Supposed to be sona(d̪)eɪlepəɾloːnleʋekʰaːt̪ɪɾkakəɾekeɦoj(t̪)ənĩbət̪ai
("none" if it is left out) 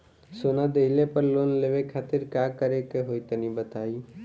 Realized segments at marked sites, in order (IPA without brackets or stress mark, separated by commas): d̪, t̪